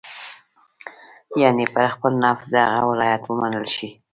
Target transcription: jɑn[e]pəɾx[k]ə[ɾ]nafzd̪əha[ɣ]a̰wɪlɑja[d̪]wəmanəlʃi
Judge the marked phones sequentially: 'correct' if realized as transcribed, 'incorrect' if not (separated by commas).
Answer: correct, incorrect, incorrect, correct, incorrect